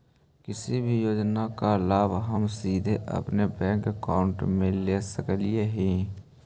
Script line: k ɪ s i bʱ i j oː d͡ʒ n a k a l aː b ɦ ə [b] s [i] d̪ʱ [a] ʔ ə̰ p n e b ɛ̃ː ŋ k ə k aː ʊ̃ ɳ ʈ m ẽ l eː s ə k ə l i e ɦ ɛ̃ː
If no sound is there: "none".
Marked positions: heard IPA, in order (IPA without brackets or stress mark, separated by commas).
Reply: m, iː, e